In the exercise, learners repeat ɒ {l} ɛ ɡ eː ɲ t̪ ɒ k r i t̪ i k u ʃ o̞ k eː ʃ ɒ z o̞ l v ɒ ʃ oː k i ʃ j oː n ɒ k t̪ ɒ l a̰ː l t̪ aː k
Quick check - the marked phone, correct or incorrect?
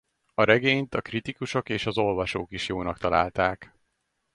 incorrect